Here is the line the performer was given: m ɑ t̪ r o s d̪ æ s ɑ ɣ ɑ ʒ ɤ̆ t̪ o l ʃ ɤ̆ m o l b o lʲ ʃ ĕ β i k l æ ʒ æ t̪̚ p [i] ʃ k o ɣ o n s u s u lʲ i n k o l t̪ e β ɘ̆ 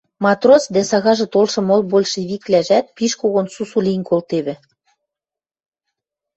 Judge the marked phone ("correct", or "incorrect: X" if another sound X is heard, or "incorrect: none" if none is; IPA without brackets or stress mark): correct